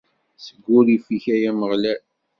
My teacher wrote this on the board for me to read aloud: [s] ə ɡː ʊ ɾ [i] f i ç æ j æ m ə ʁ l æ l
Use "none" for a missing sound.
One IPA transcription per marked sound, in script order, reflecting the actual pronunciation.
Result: s, i

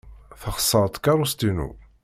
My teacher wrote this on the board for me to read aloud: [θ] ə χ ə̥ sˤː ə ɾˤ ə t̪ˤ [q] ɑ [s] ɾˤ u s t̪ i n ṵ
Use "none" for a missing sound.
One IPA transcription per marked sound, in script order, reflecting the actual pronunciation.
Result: θ, k, none

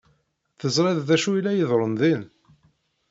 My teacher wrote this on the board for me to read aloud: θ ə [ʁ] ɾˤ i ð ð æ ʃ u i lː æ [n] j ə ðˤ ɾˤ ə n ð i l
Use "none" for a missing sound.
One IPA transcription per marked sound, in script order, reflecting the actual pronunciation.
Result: z, none

